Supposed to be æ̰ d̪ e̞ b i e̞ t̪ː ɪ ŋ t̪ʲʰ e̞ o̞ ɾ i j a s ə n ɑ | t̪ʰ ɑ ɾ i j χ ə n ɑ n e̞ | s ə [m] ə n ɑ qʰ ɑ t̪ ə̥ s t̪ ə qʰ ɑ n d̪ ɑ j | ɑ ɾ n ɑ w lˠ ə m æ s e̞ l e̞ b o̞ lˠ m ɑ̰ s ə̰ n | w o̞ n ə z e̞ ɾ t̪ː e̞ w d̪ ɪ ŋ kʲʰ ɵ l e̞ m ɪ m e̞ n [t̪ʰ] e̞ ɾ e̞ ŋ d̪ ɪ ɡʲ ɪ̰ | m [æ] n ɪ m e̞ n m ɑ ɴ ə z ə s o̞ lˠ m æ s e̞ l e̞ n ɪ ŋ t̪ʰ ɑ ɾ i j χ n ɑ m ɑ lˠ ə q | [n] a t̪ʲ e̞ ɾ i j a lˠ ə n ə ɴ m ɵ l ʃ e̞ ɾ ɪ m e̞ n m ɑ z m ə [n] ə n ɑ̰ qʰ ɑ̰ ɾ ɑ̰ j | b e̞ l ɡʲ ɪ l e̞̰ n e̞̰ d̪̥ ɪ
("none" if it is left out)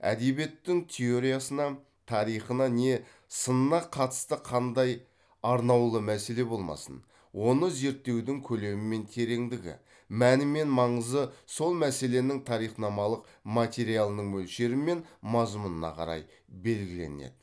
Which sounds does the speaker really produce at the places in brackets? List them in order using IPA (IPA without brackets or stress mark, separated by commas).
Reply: n, t̪ʰ, æ, m, n